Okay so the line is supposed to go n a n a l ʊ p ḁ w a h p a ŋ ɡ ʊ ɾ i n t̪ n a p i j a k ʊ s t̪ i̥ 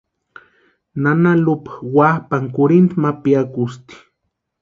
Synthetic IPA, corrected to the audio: n a n a l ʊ p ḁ w a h p a ŋ k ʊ ɾ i n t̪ m a p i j a k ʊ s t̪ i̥